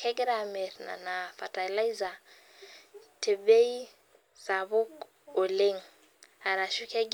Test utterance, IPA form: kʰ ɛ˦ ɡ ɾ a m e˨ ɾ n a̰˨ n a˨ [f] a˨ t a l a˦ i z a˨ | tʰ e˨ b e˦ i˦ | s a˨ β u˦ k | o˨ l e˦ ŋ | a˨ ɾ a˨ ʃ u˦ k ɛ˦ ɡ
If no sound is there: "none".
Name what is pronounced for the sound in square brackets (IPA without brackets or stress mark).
f